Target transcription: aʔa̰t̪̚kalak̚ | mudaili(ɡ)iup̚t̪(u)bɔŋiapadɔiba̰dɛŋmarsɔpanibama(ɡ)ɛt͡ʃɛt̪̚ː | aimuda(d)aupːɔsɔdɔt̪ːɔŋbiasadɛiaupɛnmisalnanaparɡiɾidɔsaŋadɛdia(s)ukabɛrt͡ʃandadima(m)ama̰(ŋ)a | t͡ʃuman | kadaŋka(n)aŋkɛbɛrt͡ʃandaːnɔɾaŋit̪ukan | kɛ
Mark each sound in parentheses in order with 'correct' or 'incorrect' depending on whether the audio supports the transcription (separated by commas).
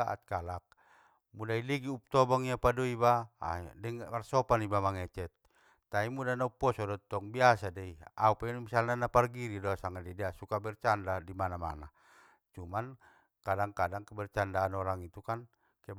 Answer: correct, incorrect, incorrect, incorrect, correct, incorrect, incorrect, incorrect